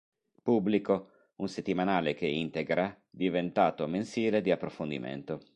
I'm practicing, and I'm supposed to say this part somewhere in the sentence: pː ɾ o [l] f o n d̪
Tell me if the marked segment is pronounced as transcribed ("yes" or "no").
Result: no